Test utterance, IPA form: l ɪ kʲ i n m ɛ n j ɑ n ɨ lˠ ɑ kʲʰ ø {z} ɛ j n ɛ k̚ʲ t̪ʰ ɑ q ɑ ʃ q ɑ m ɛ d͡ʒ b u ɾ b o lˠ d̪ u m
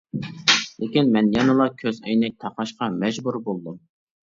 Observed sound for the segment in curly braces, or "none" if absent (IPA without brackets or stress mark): z